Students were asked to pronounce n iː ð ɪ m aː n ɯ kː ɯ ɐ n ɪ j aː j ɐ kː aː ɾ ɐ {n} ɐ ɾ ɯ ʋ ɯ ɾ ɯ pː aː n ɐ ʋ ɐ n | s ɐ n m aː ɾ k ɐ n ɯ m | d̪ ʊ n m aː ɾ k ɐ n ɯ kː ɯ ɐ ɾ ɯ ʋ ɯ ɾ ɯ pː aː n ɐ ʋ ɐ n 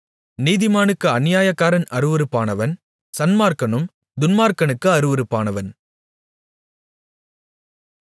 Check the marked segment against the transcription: correct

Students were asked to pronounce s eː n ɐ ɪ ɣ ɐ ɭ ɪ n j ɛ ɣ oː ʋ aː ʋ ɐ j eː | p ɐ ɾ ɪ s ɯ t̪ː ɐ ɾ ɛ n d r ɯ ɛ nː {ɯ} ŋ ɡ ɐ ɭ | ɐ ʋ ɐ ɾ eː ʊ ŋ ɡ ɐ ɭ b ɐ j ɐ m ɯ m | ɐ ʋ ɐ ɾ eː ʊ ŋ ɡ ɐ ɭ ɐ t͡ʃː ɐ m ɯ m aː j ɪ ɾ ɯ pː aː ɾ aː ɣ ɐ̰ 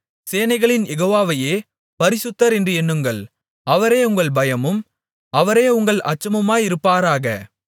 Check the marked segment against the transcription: correct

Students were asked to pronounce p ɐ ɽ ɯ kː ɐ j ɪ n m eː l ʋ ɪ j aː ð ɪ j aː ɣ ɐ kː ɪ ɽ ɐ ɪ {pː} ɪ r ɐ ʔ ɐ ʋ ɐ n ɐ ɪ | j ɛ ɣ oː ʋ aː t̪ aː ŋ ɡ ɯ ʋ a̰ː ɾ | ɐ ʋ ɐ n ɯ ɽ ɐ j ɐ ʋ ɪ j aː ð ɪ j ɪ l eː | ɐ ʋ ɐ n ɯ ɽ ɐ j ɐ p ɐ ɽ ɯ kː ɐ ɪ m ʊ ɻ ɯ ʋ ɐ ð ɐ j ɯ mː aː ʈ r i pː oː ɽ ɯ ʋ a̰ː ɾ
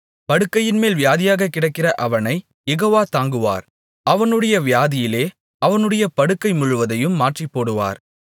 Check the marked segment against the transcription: incorrect: kː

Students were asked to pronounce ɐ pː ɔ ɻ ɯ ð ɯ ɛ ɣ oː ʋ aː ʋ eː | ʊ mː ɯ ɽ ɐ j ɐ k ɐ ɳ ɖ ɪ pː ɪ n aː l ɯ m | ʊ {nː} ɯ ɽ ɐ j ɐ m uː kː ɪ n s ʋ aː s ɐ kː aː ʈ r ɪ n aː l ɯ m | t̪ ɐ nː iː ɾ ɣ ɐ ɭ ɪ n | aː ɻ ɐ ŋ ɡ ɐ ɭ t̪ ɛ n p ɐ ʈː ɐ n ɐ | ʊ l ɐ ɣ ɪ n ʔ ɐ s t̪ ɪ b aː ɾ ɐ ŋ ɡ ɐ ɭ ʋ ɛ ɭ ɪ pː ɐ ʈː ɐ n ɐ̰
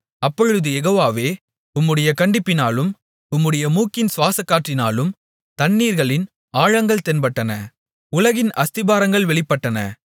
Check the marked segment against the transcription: incorrect: mː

